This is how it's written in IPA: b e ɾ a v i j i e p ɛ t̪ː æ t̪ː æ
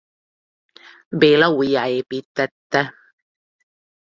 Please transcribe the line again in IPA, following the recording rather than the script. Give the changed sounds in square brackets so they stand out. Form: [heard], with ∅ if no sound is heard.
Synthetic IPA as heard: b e [l] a [w] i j [a] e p [i] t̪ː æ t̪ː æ